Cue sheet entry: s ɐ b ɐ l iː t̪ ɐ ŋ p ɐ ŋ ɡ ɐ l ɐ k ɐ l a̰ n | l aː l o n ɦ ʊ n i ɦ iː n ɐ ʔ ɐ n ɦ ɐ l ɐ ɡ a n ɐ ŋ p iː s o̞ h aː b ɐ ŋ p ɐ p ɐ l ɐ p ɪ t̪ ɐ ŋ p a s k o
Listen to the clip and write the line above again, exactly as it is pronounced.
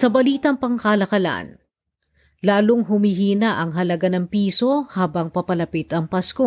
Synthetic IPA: s ɐ b ɐ l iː t̪ ɐ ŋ p ɐ ŋ k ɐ l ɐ k ɐ l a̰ n | l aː l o ŋ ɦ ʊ m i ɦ iː n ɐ ʔ ɐ ŋ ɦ ɐ l ɐ ɡ a n ɐ ŋ p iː s o̞ h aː b ɐ ŋ p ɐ p ɐ l ɐ p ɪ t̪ ɐ ŋ p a s k o